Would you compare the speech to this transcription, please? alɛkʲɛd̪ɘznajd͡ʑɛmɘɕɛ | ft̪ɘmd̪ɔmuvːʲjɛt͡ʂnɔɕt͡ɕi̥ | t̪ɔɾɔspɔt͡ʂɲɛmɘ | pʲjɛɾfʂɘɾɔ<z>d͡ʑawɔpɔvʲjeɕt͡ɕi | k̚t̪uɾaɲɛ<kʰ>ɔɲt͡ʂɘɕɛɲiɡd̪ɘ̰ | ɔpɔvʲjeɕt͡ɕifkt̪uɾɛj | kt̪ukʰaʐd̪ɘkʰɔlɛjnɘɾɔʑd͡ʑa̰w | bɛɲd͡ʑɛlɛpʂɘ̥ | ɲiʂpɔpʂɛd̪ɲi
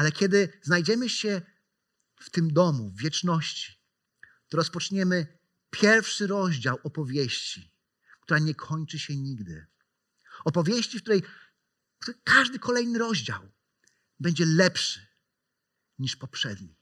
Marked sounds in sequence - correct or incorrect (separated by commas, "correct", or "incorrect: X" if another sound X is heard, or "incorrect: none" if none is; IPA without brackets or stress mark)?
incorrect: ʑ, correct